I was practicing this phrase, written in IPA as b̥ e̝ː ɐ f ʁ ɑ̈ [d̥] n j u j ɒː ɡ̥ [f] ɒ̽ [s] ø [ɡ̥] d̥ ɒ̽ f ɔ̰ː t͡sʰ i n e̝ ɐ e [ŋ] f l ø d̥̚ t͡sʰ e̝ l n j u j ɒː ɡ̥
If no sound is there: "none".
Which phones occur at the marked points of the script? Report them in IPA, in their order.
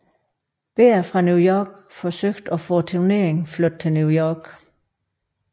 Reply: none, f, s, ɡ̥, ŋ

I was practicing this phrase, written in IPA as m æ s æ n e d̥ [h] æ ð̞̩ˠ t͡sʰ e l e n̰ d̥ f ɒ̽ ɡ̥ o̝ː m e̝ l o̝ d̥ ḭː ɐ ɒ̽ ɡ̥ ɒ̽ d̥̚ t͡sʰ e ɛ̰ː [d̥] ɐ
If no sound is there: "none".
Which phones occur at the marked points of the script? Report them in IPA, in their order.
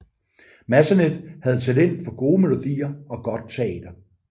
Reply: h, d̥

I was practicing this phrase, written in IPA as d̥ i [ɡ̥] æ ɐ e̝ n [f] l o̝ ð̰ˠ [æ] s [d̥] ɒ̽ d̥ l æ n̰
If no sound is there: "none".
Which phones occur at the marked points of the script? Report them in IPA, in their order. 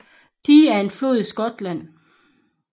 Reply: none, f, i, ɡ̥

